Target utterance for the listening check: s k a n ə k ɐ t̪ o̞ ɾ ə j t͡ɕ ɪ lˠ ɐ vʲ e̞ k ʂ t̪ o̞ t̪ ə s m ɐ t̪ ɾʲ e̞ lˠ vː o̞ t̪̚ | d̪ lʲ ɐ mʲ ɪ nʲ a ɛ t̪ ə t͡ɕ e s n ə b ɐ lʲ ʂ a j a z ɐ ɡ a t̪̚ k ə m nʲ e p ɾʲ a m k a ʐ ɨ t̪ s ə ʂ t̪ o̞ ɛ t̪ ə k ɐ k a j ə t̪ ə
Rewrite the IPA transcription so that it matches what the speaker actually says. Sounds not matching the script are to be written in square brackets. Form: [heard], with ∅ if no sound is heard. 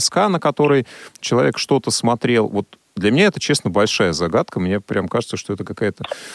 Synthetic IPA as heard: s k a n ə k ɐ t̪ o̞ ɾ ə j t͡ɕ ɪ lˠ ɐ vʲ e̞ k ʂ t̪ o̞ t̪ ə s m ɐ t̪ ɾʲ e̞ lˠ [v] o̞ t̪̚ | d̪ lʲ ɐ mʲ ɪ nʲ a ɛ t̪ ə t͡ɕ e s n ə b ɐ lʲ ʂ a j [ə] z ɐ ɡ a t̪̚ k ə m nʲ e p ɾʲ a m k a ʐ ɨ t̪ s ə ʂ t̪ o̞ ɛ t̪ ə k ɐ k a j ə t̪ ə